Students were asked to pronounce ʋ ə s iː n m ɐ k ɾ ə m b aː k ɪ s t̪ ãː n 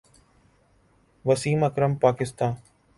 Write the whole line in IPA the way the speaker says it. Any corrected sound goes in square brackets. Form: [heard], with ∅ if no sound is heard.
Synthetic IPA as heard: ʋ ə s iː [∅] m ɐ k ɾ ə m [p] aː k ɪ s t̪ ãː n